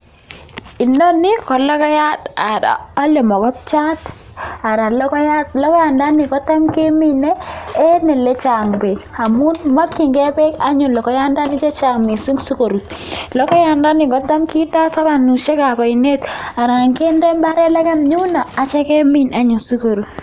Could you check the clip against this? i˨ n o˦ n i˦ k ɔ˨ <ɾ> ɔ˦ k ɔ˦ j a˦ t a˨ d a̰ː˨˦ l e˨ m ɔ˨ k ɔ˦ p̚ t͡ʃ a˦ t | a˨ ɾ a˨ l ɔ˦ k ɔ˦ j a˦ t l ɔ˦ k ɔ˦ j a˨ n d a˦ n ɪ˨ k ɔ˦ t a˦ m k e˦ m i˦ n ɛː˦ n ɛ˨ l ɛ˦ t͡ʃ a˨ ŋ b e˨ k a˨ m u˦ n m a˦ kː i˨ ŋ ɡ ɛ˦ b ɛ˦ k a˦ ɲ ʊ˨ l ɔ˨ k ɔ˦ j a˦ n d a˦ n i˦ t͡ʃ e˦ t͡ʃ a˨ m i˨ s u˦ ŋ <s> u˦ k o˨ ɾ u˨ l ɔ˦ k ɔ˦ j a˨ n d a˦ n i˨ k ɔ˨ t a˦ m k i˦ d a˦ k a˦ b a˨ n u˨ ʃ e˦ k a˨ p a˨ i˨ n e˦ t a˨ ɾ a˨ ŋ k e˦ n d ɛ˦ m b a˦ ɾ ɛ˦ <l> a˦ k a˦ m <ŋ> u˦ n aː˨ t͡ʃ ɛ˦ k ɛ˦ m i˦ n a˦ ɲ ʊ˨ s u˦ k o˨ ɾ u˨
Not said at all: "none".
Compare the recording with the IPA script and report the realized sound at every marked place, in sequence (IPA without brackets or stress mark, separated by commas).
l, s, l, ɲ